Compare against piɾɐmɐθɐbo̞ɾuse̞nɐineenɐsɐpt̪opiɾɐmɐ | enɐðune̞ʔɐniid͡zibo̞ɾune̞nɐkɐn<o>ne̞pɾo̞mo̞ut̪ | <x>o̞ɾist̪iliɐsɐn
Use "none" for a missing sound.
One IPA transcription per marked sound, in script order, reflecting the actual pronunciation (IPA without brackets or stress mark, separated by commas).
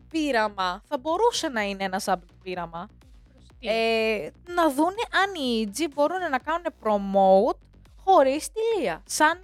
u, x